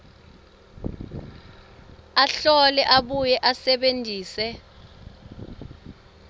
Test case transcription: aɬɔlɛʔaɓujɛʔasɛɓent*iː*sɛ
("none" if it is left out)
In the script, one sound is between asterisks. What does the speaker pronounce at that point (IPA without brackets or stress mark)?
iː